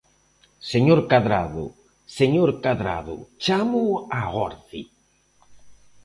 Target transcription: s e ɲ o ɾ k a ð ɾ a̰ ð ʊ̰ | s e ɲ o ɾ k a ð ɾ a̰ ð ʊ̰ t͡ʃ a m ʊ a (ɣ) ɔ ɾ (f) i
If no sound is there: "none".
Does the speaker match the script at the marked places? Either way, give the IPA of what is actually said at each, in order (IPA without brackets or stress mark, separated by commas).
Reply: ɣ, θ